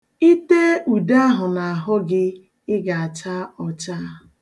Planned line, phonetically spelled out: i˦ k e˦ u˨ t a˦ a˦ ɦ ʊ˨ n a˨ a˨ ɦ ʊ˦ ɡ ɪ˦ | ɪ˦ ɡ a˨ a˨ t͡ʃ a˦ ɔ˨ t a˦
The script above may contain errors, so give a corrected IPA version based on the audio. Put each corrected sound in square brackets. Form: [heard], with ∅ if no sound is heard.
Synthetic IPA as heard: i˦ [t] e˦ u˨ [d] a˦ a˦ ɦ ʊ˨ n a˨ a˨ ɦ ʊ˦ ɡ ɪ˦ | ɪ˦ ɡ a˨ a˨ t͡ʃ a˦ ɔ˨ [t͡ʃ] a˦